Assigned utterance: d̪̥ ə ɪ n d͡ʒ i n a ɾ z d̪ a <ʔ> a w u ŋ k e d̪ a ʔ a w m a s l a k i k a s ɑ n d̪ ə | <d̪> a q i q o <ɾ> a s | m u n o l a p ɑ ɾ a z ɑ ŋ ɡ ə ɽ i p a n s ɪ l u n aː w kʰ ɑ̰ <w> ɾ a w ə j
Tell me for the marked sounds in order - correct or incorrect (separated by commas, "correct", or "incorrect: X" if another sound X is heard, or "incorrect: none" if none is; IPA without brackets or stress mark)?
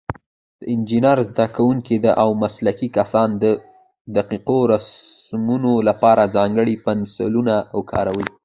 incorrect: k, correct, correct, incorrect: none